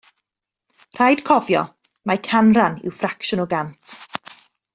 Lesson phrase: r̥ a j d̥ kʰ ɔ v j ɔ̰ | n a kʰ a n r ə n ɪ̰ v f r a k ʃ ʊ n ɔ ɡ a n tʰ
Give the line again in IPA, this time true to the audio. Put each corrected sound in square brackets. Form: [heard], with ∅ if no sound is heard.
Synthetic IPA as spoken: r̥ a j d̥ kʰ ɔ v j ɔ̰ | [m] a kʰ a n r [a] n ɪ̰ [w] f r a k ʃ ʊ n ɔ ɡ a n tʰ